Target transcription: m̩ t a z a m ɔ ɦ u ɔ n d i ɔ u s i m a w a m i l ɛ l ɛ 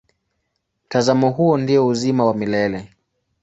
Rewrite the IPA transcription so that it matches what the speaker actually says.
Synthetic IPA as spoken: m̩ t a z a m ɔ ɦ u ɔ n d i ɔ u z i m a w a m i l ɛ l ɛ

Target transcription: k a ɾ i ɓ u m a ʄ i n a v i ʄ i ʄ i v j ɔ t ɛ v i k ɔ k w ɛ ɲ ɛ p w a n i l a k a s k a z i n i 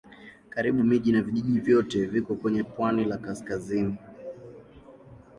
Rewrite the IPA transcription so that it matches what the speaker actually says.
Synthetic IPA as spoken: k a ɾ i ɓ u m i ʄ i n a v i ʄ i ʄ i v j ɔ t ɛ v i k ɔ k w ɛ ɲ ɛ p w a n i l a k a s k a z i n i

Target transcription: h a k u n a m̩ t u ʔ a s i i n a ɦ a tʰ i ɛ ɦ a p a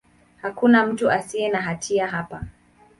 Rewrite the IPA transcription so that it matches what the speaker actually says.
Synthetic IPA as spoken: h a k u n a m̩ t u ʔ a s i ɛ n a ɦ a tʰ i a ɦ a p a

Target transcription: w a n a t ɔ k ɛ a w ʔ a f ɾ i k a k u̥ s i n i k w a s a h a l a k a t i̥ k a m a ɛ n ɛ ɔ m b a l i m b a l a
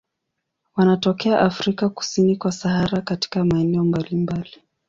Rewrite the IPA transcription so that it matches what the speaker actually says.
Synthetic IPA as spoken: w a n a t ɔ k ɛ a ʔ a f ɾ i k a k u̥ s i n i k w a s a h a ɾ a k a t i̥ k a m a ɛ n ɛ ɔ m b a l i m b a l i

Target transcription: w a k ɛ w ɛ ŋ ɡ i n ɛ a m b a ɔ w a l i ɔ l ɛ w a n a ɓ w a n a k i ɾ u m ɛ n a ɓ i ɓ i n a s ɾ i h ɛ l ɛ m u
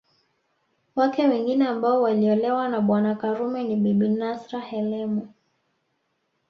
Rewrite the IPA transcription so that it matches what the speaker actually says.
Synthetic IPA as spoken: w a k ɛ w ɛ ŋ ɡ i n ɛ a m b a ɔ w a l i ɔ l ɛ w a n a ɓ w a n a k a ɾ u m ɛ n i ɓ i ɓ i n a s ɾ a h ɛ l ɛ m u

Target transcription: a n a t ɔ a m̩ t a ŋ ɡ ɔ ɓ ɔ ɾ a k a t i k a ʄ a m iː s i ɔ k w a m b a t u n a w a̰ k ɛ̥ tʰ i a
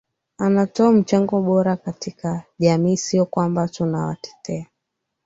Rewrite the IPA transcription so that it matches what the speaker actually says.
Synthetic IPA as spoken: a n a t ɔ a m̩ t͡ʃ a ŋ ɡ ɔ ɓ ɔ ɾ a k a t i k a ʄ a m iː s i ɔ k w a m b a t u n a w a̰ t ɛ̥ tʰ ɛ a

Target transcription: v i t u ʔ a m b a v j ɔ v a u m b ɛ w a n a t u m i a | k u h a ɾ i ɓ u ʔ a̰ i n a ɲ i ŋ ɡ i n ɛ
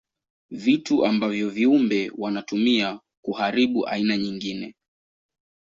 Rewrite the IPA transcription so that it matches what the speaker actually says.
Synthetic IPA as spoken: v i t u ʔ a m b a v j ɔ v i u m b ɛ w a n a t u m i a | k u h a ɾ i ɓ u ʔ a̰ i n a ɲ i ŋ ɡ i n ɛ

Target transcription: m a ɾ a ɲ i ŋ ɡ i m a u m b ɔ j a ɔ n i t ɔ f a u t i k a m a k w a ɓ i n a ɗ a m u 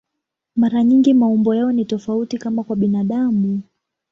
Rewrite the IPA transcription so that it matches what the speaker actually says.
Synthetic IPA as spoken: m a ɾ a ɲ i ŋ ɡ i m a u m b ɔ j a ɔ n i t ɔ f a u t i k a m a k w a ɓ i n a ɗ a m u

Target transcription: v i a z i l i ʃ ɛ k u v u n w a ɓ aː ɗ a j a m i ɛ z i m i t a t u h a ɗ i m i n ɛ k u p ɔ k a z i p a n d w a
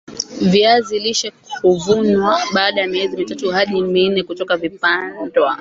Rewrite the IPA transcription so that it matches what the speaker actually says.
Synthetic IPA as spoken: v i a z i l i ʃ ɛ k u v u n w a ɓ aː ɗ a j a m i ɛ z i m i t a t u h a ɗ i m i n ɛ k u t ɔ k a v i p a n d w a

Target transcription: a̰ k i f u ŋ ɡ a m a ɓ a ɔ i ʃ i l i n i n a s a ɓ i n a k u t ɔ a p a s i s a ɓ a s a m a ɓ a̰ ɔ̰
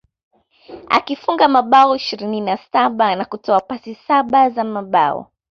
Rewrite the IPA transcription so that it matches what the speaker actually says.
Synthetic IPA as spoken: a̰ k i f u ŋ ɡ a m a ɓ a ɔ i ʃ i ɾ i n i n a s a ɓ a n a k u t ɔ a p a s i s a ɓ a z a m a ɓ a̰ ɔ̰

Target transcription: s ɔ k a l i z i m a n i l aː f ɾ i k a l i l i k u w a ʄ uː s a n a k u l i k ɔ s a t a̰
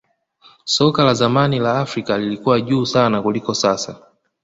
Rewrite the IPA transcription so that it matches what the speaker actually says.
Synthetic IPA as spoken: s ɔ k a l a z a m a n i l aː f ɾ i k a l i l i k u w a ʄ uː s a n a k u l i k ɔ s a s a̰

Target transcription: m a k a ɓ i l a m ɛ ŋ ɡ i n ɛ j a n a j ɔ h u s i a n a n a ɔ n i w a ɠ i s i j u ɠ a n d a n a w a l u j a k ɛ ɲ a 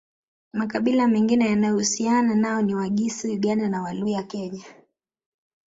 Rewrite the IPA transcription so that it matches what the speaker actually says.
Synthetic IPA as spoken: m a k a ɓ i l a m ɛ ŋ ɡ i n ɛ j a n a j ɔ h u s i a n a n a ɔ n i w a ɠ i s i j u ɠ a n d a n a w a l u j a k ɛ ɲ a

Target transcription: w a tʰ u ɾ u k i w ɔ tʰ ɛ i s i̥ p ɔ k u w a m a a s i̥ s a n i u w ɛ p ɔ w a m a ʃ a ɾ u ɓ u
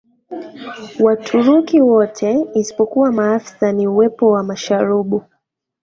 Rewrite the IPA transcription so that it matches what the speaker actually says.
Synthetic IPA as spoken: w a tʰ u ɾ u k i w ɔ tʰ ɛ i s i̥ p ɔ k u w a m a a f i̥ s a n i u w ɛ p ɔ w a m a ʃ a ɾ u ɓ u

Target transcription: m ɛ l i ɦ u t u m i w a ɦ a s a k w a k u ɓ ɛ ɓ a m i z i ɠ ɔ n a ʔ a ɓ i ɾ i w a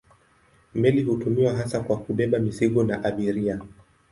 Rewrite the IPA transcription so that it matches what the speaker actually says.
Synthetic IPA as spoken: m ɛ l i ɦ u t u m i w a ɦ a s a k w a k u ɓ ɛ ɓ a m i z i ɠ ɔ n a ʔ a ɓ i ɾ i a

